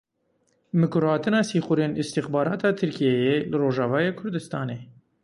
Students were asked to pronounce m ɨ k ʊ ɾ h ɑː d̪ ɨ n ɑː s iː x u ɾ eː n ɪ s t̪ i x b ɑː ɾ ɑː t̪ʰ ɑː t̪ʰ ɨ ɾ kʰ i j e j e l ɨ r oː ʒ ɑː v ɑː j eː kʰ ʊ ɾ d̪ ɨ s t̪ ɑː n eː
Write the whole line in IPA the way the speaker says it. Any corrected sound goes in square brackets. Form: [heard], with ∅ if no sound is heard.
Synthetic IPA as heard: m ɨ k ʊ ɾ h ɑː [t̪] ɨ n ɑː s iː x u ɾ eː n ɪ s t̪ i x b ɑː ɾ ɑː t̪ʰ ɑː t̪ʰ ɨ ɾ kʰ i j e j e l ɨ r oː ʒ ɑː v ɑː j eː kʰ ʊ ɾ d̪ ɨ s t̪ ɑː n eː